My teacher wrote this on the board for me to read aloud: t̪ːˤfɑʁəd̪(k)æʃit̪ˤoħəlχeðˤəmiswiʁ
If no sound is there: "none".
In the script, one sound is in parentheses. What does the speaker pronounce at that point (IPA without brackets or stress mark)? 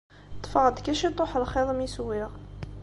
k